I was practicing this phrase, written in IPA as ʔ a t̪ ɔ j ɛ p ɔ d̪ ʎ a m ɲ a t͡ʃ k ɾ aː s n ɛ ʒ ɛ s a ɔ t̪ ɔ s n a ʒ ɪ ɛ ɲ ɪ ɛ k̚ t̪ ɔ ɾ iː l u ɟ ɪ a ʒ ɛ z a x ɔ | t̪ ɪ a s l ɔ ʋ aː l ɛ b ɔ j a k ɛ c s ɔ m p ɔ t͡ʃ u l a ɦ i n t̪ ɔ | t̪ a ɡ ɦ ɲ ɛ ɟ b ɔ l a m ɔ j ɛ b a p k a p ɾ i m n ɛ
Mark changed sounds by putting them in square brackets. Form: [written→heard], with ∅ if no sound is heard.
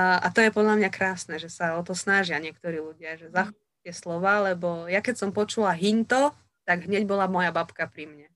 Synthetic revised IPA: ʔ a t̪ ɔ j ɛ p ɔ d̪ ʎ a m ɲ a [t͡ʃ→∅] k ɾ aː s n ɛ ʒ ɛ s a ɔ t̪ ɔ s n a ʒ ɪ [ɛ→a] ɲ ɪ ɛ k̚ t̪ ɔ ɾ iː l u ɟ ɪ a ʒ ɛ z a x ɔ | t̪ ɪ [a→ɛ] s l ɔ ʋ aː l ɛ b ɔ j a k ɛ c s ɔ m p ɔ t͡ʃ u l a ɦ i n t̪ ɔ | t̪ a ɡ ɦ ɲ ɛ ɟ b ɔ l a m ɔ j [ɛ→a] b a p k a p ɾ i m [n→ɲ] ɛ